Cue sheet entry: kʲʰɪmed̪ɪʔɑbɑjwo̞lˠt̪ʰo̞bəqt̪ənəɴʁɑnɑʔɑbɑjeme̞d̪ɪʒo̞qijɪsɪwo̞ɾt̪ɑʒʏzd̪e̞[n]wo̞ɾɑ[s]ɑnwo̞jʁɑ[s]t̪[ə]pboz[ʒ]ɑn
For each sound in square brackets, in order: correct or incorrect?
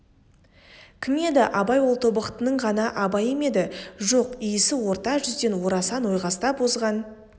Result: correct, correct, correct, incorrect, incorrect

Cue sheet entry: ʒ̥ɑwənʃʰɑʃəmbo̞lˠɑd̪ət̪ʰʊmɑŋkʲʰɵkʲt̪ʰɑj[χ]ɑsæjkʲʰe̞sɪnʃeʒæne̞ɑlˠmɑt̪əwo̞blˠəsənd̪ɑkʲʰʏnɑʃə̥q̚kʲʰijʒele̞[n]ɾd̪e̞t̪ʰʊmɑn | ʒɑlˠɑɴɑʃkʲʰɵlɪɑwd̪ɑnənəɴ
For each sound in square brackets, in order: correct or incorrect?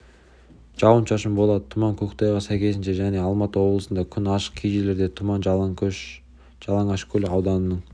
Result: incorrect, incorrect

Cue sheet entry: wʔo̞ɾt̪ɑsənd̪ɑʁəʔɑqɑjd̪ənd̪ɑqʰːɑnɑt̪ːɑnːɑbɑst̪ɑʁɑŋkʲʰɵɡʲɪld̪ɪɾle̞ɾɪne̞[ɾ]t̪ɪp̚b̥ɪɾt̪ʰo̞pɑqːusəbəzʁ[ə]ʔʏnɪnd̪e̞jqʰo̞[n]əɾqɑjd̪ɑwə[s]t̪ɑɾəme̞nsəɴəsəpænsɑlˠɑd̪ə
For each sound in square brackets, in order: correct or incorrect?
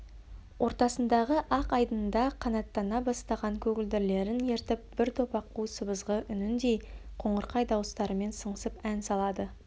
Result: correct, correct, incorrect, correct

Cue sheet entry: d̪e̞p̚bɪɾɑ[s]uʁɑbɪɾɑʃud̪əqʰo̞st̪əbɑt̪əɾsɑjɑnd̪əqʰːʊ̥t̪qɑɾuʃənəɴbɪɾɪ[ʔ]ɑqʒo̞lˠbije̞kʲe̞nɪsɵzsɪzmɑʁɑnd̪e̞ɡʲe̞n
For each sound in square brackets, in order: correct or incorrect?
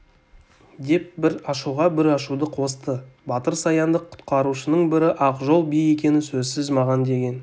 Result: incorrect, correct

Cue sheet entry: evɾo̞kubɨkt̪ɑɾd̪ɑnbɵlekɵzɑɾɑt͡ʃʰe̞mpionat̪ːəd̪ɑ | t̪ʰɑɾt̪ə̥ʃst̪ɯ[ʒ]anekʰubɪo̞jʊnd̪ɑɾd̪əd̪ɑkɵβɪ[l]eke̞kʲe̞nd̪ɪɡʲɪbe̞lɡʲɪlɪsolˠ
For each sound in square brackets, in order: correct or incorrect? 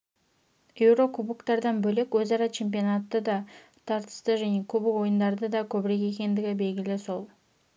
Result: correct, incorrect

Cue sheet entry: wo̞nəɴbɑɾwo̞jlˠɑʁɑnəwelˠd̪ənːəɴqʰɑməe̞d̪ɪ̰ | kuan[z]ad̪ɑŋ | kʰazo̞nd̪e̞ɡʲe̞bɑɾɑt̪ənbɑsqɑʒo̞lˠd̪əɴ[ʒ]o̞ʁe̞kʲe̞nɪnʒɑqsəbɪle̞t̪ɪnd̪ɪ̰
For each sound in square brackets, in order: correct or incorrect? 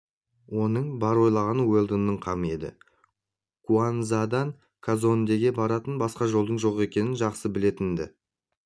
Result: correct, correct

